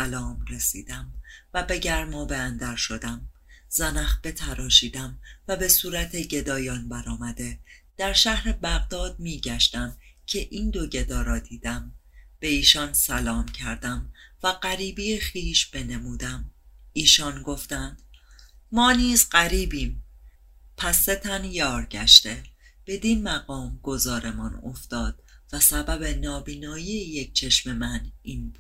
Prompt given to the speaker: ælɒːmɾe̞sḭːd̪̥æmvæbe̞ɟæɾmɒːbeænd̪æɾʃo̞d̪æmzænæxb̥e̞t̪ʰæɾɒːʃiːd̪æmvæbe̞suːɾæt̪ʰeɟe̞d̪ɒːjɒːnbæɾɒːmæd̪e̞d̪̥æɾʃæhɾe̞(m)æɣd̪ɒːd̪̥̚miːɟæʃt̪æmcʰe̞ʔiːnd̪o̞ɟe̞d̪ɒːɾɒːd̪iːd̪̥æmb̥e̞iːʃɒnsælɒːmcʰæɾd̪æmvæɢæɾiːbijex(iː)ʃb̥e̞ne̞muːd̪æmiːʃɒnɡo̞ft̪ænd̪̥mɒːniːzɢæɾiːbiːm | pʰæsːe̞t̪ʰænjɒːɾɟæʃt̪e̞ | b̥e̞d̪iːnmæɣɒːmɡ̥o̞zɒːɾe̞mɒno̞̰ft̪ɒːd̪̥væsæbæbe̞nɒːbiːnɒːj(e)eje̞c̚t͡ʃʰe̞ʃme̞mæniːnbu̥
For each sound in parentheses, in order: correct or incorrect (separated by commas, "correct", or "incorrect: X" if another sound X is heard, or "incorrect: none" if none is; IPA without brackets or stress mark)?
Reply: incorrect: b, correct, incorrect: i